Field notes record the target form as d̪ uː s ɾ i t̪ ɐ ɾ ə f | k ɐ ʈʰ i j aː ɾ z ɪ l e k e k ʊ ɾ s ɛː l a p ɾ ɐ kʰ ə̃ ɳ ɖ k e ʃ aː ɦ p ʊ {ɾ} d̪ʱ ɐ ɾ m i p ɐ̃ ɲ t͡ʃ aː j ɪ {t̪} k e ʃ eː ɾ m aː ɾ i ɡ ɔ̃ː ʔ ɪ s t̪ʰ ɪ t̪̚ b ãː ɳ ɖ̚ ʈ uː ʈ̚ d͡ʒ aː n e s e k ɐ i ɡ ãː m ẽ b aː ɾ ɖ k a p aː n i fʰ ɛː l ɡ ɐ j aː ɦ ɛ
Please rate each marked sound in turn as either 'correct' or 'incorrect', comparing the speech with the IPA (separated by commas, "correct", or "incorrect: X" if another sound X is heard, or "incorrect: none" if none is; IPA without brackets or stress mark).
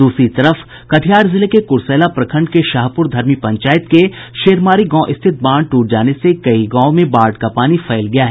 correct, correct